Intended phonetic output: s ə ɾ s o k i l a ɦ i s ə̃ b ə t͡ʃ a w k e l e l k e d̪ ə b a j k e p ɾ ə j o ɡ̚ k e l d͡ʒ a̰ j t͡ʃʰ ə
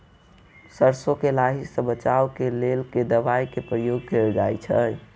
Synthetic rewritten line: s ə ɾ s o k e l a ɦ i s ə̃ b ə t͡ʃ a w k e l e l k e d̪ ə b a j k e p ɾ ə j o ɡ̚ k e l d͡ʒ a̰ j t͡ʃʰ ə

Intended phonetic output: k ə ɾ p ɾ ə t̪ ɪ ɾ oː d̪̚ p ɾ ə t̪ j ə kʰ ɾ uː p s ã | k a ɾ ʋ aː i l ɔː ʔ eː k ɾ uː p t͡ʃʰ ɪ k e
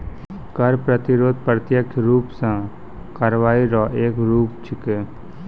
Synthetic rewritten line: k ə ɾ p ɾ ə t̪ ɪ ɾ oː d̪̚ p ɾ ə t̪ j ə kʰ ɾ uː p s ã | k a ɾ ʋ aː i ɾ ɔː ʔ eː k ɾ uː p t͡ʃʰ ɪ k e

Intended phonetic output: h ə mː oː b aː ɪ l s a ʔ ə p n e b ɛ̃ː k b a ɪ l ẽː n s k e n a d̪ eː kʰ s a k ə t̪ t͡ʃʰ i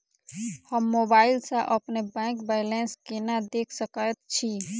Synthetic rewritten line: h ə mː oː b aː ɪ l s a ʔ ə p n e b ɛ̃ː k b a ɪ l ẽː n s k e n a d̪ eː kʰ s ə k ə t̪ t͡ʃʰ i

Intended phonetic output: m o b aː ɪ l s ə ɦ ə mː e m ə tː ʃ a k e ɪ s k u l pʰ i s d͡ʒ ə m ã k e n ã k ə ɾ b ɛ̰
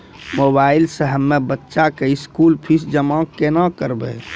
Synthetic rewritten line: m o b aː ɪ l s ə ɦ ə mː e b ə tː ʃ a k e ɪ s k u l pʰ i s d͡ʒ ə m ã k e n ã k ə ɾ b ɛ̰

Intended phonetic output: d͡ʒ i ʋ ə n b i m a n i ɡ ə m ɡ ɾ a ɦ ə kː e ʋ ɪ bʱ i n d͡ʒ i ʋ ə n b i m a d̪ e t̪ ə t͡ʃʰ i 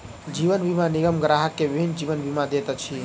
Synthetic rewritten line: d͡ʒ i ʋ ə n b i m a n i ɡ ə m ɡ ɾ a ɦ ə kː e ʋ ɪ bʱ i n d͡ʒ i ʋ ə n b i m a d̪ e t̪ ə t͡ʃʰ i

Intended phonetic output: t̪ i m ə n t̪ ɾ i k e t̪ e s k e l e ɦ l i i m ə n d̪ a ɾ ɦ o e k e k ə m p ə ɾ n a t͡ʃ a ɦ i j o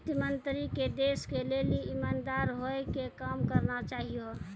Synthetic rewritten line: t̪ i m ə n t̪ ɾ i k e d̪ e s k e l e l i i m a n d̪ a ɾ ɦ o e k e k a m k ə ɾ n a t͡ʃ a ɦ i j o

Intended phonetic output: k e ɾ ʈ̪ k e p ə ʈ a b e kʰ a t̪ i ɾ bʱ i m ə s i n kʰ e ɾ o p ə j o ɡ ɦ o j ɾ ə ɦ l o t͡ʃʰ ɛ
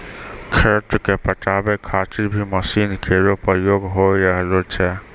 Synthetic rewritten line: kʰ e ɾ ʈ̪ k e p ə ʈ a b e kʰ a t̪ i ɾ bʱ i m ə s i n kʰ e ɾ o p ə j o ɡ ɦ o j ɾ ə ɦ l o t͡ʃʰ ɛ

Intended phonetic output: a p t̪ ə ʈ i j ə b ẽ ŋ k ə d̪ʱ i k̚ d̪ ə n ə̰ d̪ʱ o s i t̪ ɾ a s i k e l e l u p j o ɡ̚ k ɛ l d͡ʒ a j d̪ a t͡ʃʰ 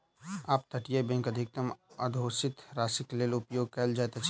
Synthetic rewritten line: a p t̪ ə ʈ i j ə b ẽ ŋ k ə d̪ʱ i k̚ t̪ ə m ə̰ d̪ʱ o s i t̪ ɾ a s i k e l e l u p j o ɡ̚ k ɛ l d͡ʒ a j t̪ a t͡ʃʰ

